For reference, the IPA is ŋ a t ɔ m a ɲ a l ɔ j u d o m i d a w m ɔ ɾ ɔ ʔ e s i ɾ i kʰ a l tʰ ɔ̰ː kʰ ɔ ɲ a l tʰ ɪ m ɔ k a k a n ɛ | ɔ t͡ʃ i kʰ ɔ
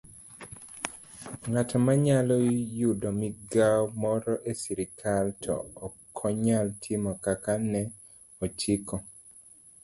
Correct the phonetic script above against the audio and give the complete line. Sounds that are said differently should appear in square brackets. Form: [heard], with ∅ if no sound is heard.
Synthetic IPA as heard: ŋ a t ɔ m a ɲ a l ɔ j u d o m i [ɡ] a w m ɔ ɾ ɔ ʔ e s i ɾ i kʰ a l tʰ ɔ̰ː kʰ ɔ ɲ a l tʰ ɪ m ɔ k a k a n ɛ | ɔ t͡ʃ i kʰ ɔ

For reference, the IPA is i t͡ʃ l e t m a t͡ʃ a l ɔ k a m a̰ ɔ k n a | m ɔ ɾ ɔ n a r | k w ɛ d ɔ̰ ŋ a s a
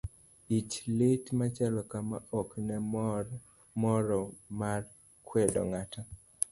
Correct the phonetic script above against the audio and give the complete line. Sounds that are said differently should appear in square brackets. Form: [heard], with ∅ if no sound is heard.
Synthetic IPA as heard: i t͡ʃ l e t m a t͡ʃ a l ɔ k a m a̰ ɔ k n [ɛ] | m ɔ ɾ ɔ [m] a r | k w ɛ d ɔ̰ ŋ a [t] a

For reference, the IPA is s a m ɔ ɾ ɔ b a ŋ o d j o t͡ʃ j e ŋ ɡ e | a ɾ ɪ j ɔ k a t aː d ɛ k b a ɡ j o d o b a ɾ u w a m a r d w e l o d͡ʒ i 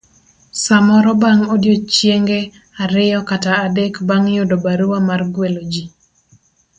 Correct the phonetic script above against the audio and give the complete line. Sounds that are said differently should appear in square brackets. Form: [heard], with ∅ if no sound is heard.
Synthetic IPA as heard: s a m ɔ ɾ ɔ b a ŋ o d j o t͡ʃ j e ŋ ɡ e | a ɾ ɪ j ɔ k a t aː d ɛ k b a [ŋ] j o d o b a ɾ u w a m a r [ɡ] w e l o d͡ʒ i

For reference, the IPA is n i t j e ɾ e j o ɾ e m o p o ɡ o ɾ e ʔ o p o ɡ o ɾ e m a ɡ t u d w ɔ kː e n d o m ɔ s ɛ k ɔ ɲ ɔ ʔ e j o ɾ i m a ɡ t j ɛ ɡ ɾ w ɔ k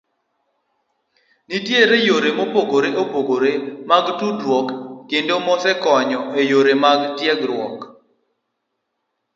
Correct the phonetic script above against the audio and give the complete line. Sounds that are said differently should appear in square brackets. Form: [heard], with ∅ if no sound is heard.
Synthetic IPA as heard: n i t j e ɾ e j o ɾ e m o p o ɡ o ɾ e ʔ o p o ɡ o ɾ e m a ɡ t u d w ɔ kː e n d o m ɔ s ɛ k ɔ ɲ ɔ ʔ e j o ɾ [e] m a ɡ t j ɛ ɡ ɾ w ɔ k

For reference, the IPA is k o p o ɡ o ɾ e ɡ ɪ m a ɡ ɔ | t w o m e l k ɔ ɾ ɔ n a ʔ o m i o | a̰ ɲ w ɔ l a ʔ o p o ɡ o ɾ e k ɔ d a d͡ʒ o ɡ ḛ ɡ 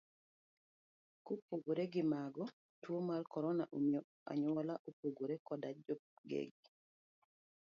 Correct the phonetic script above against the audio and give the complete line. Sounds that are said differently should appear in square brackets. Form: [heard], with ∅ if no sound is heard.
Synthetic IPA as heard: k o p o ɡ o ɾ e ɡ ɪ m a ɡ ɔ | t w o m [a] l k ɔ ɾ ɔ n a ʔ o m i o | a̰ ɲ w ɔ l a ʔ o p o ɡ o ɾ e k ɔ d a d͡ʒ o ɡ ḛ ɡ

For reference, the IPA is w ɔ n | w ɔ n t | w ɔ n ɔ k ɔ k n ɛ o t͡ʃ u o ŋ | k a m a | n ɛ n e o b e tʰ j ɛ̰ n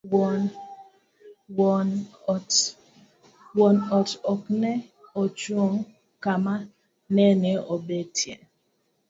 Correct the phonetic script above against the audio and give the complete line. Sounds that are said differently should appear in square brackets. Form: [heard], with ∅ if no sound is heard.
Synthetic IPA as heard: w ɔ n | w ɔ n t | w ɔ n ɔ [t] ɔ k n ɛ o t͡ʃ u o ŋ | k a m a | n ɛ n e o b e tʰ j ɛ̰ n

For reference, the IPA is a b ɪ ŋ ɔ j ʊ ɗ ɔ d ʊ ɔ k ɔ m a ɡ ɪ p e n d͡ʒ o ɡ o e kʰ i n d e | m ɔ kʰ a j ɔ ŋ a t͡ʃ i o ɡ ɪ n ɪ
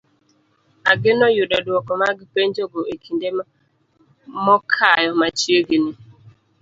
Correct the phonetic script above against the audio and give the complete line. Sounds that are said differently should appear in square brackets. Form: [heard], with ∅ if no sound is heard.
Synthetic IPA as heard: a [ɡ] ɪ [n] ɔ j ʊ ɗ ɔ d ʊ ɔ k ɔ m a ɡ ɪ p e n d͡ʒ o ɡ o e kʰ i n d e | m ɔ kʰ a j ɔ [m] a t͡ʃ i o ɡ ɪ n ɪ

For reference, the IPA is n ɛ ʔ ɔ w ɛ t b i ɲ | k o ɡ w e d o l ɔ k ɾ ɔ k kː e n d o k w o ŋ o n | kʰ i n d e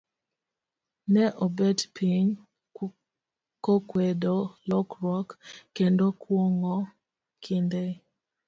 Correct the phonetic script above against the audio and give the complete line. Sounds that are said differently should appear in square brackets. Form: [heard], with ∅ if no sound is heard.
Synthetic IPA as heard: n ɛ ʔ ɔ [b] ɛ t [p] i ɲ | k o [k] w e d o l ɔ k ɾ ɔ k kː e n d o k w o ŋ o [∅] | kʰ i n d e

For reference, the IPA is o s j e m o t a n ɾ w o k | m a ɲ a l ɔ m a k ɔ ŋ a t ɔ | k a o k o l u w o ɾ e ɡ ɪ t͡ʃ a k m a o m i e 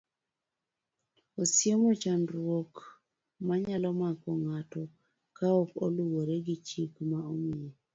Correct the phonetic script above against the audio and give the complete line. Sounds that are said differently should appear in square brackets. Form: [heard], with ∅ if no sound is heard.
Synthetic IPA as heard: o s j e m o [t͡ʃ] a n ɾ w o k | m a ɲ a l ɔ m a k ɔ ŋ a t ɔ | k a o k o l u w o ɾ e ɡ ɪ t͡ʃ [i] k m a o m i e

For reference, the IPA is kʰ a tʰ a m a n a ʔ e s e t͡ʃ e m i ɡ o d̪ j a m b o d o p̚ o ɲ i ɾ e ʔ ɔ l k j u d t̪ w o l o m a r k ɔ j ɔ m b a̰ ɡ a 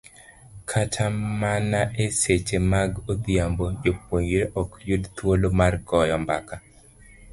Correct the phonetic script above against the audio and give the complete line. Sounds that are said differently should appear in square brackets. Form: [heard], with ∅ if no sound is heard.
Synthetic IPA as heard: kʰ a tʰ a m a n a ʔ e s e t͡ʃ e m [a] ɡ o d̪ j a m b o [d͡ʒ] o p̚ o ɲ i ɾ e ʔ ɔ [∅] k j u d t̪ w o l o m a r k ɔ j ɔ m b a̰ [k] a

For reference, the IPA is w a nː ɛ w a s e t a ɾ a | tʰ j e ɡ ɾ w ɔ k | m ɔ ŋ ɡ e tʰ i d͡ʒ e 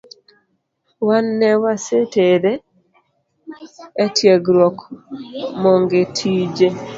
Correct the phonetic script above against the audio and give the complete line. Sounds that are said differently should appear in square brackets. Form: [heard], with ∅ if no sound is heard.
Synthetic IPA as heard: w a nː ɛ w a s e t [e] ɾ [e] | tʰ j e ɡ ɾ w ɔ k | m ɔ ŋ ɡ e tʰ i d͡ʒ e

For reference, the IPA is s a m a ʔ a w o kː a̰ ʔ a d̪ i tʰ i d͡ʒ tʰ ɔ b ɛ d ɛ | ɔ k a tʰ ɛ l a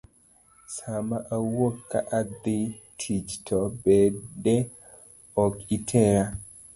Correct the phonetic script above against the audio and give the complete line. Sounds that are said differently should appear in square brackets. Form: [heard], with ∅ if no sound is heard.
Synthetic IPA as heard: s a m a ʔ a w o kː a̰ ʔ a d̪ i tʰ i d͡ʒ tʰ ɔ b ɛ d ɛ | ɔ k [i] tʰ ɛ [ɾ] a

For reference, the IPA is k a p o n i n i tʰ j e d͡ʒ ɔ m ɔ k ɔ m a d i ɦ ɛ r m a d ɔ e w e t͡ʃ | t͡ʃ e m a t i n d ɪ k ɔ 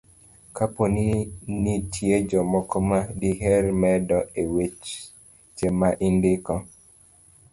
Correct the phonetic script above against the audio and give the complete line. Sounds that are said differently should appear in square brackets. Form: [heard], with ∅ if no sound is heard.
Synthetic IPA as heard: k a p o n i n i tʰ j e d͡ʒ ɔ m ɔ k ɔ m a d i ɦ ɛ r m [ɛ] d ɔ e w e t͡ʃ | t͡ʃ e m a [ʔ] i n d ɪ k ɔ

